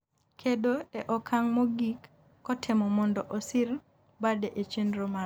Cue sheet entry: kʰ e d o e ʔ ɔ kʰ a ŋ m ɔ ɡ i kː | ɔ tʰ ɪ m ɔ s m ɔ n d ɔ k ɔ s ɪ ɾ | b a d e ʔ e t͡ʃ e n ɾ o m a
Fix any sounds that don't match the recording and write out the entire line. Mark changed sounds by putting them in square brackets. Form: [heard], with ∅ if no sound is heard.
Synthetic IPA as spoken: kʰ e d o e ʔ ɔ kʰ a ŋ m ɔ ɡ i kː | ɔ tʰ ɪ m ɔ [∅] m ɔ n d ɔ [ʔ] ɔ s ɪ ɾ | b a d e ʔ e t͡ʃ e n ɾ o m a